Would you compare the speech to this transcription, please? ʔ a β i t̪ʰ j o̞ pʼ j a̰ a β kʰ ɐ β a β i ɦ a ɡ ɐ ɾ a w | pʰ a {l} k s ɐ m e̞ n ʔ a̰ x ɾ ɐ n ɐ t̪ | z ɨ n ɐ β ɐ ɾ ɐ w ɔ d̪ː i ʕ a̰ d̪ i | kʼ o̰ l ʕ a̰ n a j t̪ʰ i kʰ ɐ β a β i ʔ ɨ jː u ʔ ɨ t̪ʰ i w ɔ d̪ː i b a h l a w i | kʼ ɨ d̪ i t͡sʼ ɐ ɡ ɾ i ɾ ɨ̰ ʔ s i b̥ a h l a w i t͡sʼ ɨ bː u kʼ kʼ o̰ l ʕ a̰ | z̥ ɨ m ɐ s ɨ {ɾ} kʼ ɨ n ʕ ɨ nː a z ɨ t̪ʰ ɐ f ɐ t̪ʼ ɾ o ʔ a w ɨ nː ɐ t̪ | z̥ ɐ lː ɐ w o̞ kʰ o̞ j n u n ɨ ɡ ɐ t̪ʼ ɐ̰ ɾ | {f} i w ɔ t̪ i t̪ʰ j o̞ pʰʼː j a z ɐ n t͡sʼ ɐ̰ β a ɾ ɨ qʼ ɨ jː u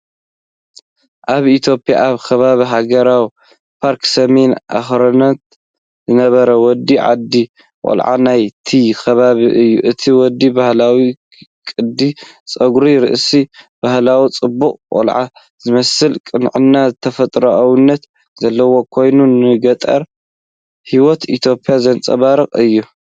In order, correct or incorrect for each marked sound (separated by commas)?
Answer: incorrect, incorrect, incorrect